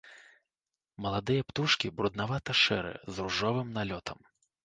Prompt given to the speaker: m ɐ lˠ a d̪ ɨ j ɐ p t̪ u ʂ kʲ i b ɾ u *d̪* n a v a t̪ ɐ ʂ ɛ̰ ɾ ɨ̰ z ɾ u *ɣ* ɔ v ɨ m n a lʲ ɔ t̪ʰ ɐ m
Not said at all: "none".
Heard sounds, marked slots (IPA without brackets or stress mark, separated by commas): d̪, ʐ